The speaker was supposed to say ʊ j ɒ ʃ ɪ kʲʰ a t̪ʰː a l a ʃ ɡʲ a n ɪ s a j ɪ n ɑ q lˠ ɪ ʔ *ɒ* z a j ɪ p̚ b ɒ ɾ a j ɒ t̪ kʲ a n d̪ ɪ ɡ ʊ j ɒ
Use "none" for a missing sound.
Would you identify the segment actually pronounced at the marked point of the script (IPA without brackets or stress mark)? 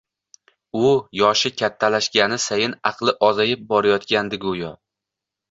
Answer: ɒ